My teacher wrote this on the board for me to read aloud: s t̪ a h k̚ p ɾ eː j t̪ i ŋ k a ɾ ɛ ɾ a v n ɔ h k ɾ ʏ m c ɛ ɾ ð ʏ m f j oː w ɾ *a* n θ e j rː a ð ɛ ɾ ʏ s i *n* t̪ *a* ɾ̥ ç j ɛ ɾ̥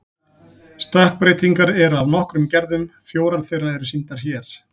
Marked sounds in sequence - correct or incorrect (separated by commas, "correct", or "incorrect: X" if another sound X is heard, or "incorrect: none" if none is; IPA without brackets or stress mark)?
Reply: correct, correct, correct